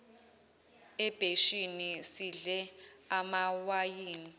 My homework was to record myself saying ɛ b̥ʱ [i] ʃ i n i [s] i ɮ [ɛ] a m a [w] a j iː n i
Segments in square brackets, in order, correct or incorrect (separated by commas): incorrect, correct, correct, correct